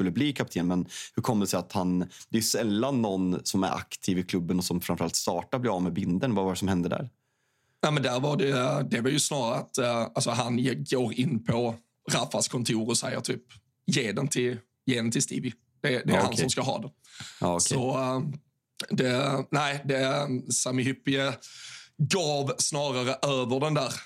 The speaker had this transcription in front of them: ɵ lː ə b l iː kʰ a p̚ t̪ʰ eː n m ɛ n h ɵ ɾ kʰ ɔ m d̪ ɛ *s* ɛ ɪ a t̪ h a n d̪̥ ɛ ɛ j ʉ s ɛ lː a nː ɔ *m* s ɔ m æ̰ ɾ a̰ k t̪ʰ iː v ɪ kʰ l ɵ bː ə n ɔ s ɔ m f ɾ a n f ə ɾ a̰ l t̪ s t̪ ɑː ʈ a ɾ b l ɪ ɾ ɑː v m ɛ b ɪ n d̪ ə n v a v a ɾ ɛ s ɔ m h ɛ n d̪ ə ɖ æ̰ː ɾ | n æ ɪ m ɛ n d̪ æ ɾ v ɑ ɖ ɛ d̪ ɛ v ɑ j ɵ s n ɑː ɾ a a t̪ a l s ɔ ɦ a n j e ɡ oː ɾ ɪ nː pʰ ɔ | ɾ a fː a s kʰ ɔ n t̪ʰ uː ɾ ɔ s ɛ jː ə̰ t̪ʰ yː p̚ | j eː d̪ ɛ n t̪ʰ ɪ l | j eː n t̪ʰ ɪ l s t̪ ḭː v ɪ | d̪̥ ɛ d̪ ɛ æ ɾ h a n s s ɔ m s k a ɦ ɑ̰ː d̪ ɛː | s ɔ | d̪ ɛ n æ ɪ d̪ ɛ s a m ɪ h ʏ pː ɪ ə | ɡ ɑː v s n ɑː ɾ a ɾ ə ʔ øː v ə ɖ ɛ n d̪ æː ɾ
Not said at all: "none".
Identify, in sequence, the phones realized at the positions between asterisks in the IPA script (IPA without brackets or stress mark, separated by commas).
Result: s, n